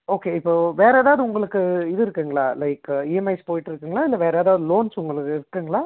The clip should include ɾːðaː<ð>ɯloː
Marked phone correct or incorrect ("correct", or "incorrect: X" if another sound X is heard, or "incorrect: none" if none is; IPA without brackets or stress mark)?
correct